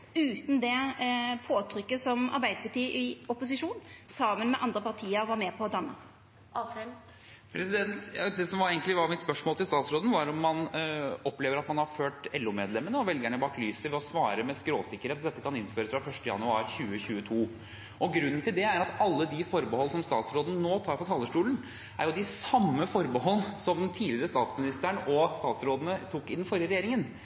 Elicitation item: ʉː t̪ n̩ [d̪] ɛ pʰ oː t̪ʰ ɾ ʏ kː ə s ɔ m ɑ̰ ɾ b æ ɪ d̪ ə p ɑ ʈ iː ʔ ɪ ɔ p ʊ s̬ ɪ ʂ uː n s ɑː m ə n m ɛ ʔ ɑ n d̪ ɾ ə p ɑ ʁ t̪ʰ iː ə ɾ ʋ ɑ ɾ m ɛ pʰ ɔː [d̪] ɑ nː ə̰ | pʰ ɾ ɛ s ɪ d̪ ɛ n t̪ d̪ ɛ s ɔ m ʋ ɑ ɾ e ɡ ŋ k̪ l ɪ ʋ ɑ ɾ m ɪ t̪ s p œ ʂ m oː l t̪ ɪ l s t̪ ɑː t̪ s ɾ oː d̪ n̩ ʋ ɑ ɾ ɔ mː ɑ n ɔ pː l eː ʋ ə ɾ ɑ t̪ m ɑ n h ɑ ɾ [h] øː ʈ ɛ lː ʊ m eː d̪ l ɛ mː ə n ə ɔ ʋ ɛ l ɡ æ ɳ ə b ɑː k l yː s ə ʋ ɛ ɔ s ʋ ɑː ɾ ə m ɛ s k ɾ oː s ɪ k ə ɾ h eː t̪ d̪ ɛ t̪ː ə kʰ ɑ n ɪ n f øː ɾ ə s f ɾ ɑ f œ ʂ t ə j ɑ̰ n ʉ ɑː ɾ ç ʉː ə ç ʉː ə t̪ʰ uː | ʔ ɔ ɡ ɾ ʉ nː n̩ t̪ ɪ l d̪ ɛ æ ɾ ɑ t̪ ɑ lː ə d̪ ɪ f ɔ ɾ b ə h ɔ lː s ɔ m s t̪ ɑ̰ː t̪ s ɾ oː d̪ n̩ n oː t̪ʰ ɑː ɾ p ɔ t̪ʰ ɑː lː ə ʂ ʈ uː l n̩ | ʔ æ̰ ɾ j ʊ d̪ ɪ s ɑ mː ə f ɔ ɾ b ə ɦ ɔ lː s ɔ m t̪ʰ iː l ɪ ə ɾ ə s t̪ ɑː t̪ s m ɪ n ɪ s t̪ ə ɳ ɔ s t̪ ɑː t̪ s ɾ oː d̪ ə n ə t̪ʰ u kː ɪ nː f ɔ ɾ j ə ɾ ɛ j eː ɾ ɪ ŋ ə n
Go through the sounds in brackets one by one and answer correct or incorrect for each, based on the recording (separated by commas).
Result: correct, correct, incorrect